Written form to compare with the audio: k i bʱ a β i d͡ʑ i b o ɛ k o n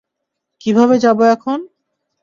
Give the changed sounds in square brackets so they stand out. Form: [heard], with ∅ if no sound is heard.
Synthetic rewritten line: k i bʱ a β [e] d͡ʑ [a] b o ɛ [kʰ] o n